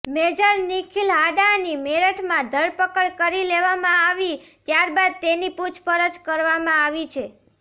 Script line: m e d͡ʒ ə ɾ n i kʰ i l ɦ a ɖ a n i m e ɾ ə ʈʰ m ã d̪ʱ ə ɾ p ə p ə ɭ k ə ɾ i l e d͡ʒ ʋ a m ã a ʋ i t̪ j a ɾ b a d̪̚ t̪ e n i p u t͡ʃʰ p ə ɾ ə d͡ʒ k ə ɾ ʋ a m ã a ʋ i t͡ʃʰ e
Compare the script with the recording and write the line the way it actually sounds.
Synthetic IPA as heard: m e d͡ʒ ə ɾ n i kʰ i l ɦ a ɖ a n i m e ɾ ə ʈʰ m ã d̪ʱ ə ɾ p ə k ə ɭ k ə ɾ i l e ʋ a m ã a ʋ i t̪ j a ɾ b a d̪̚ t̪ e n i p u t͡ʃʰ p ə ɾ ə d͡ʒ k ə ɾ ʋ a m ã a ʋ i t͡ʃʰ e